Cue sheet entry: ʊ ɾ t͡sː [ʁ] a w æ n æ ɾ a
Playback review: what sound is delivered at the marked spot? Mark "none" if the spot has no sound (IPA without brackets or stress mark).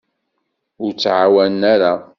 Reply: ʕ